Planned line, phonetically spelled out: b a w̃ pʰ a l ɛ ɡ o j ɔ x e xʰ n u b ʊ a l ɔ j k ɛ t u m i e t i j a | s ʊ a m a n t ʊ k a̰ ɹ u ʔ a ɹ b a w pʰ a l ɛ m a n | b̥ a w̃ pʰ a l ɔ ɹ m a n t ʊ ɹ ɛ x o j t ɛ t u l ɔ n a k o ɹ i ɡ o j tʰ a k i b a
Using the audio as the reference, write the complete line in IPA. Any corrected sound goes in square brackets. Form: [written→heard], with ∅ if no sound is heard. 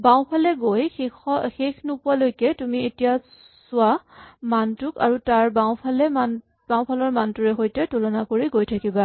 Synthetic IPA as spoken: b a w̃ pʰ a l ɛ ɡ o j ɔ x e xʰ n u [b→p] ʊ a l [ɔ→o] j k ɛ t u m i e t i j a | s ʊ a m a n t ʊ k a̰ ɹ u [ʔ→t] a ɹ b a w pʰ a l ɛ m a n | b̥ a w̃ pʰ a l ɔ ɹ m a n t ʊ ɹ ɛ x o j t ɛ t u l ɔ n a k o ɹ i ɡ o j tʰ a k i b a